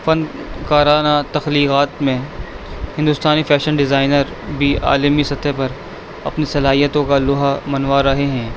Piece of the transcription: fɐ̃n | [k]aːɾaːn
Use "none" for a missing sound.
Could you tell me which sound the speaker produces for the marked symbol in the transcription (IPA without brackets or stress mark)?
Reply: k